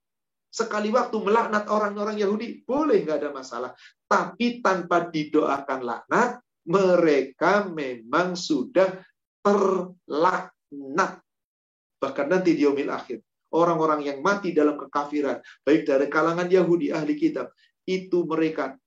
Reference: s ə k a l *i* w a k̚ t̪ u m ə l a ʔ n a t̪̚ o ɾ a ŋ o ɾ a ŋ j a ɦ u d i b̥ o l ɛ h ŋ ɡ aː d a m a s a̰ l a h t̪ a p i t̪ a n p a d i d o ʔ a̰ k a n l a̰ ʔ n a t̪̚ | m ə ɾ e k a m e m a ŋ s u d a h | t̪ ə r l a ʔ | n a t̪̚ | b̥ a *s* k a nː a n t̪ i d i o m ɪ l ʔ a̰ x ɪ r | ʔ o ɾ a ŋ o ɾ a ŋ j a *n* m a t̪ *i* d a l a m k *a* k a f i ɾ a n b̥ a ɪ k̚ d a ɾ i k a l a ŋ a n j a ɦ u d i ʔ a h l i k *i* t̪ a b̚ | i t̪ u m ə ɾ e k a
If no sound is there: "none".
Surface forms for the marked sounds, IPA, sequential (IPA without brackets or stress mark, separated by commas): i, h, ŋ, i, ə, i